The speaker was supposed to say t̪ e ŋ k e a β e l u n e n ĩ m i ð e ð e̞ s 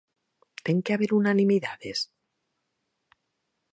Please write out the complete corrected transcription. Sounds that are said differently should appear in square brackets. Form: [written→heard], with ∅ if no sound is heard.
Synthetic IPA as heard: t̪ e ŋ k e a β e [l→ɾ] u n [e→a] n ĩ m i ð [e→a] ð e̞ s